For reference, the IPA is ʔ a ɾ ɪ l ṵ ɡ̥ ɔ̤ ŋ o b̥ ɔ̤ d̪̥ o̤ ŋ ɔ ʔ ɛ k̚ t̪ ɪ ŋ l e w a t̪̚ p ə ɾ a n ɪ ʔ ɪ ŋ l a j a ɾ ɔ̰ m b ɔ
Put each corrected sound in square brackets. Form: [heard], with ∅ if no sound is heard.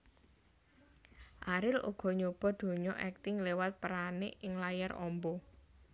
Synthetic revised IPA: ʔ a ɾ ɪ l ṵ ɡ̥ ɔ̤ [ɲ] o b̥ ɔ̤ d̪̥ o̤ [ɲ] ɔ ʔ ɛ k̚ t̪ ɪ ŋ l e w a t̪̚ p ə ɾ a n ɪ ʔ ɪ ŋ l a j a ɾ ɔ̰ m b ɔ